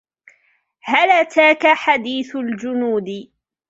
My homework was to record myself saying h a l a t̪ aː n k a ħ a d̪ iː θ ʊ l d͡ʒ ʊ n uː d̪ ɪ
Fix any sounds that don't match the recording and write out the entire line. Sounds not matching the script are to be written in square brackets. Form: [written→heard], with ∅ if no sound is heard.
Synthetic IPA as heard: h a l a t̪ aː [n→∅] k a ħ a d̪ iː θ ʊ l d͡ʒ ʊ n uː d̪ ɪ